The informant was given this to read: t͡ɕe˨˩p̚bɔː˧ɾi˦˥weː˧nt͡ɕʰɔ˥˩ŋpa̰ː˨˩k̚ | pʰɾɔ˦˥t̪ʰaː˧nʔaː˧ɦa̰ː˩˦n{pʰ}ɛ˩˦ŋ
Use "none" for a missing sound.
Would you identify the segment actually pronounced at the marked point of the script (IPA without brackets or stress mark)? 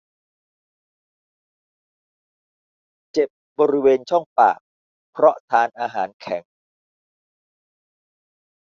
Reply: kʰ